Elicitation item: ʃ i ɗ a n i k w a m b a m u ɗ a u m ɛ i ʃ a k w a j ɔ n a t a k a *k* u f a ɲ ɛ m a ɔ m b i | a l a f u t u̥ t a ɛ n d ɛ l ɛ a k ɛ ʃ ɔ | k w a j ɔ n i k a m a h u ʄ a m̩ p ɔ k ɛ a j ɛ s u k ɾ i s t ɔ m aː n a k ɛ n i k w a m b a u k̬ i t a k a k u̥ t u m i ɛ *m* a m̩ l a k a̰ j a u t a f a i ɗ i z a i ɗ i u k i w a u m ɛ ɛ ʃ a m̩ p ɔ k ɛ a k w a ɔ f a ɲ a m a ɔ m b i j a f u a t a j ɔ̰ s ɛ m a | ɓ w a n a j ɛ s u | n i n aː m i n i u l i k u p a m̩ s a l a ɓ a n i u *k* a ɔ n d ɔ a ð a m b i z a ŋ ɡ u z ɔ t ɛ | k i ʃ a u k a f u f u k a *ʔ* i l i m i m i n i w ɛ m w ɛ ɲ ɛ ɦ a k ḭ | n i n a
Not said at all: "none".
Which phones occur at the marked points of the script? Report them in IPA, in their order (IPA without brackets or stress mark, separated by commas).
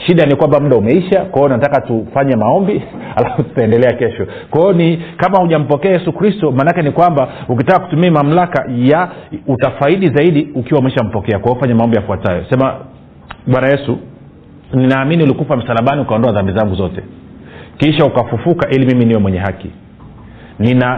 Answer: t, m, k, ʔ